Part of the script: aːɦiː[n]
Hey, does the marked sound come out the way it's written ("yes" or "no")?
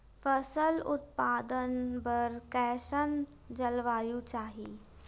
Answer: no